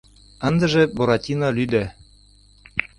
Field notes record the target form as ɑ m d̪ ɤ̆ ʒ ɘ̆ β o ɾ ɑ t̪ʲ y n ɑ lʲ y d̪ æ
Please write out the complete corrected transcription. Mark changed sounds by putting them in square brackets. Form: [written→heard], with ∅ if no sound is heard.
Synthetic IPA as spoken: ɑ [m→n] d̪ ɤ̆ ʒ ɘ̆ [β→b] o ɾ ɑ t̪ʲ [y→i] n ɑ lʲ y d̪ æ